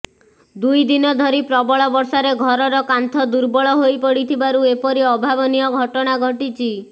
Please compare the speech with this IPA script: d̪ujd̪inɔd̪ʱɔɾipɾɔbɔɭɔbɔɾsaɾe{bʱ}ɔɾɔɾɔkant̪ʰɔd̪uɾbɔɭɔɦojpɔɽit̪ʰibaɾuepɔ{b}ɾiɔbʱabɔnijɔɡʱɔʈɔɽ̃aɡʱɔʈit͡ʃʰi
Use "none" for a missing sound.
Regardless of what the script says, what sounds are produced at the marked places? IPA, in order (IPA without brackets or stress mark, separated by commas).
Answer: ɡʱ, none